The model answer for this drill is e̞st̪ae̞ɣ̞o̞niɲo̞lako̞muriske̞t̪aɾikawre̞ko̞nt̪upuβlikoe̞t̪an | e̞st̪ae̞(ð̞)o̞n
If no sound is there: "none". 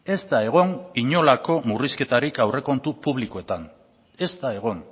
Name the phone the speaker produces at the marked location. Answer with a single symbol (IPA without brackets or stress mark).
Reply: ɣ̞